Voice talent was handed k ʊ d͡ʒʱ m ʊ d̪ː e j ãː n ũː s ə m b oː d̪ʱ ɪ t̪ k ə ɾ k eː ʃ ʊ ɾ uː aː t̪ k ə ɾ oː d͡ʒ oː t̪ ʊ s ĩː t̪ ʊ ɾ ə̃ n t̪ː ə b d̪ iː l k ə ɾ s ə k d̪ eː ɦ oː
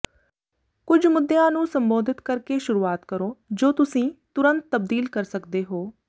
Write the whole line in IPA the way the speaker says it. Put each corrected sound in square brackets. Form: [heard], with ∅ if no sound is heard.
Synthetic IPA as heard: k ʊ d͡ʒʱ m ʊ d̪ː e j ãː n ũː s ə m b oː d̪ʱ ɪ t̪ k ə ɾ k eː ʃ ʊ ɾ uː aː t̪ k ə ɾ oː d͡ʒ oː t̪ ʊ s ĩː t̪ ʊ ɾ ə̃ n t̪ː ə b d̪ iː l k ə ɾ s ə k d̪ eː ɦ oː